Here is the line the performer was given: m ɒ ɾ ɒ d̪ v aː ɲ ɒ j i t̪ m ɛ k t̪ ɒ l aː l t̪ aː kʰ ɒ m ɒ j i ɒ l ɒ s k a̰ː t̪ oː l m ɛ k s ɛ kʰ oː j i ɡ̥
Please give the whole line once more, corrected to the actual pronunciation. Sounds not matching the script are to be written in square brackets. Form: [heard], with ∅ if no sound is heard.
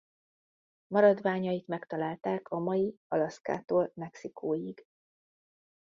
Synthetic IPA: m ɒ ɾ ɒ d̪ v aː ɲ ɒ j i t̪ m ɛ k t̪ ɒ l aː l t̪ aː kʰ ɒ m ɒ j i ɒ l ɒ s k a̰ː t̪ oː l m ɛ k s [i] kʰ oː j i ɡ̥